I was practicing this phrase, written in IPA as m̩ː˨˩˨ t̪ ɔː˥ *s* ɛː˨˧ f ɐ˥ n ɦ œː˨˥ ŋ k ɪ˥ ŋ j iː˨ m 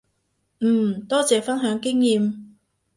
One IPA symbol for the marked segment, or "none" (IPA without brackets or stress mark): t͡s